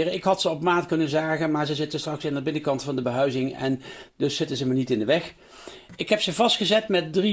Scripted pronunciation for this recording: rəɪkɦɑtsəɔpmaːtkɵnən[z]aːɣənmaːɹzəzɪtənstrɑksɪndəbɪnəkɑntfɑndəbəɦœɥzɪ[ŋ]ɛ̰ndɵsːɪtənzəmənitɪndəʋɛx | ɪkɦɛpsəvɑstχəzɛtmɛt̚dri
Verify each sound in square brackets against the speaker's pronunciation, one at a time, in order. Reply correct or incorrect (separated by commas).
correct, correct